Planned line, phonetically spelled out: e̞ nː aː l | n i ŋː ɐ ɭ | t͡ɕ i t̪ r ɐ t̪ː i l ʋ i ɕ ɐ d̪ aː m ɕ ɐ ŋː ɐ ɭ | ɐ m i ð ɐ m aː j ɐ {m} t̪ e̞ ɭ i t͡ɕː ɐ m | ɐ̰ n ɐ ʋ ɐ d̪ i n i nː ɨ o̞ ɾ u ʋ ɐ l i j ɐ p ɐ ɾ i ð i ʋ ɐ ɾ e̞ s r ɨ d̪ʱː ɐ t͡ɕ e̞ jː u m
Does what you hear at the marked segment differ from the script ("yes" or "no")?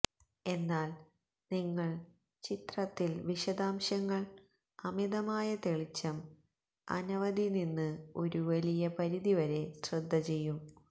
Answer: yes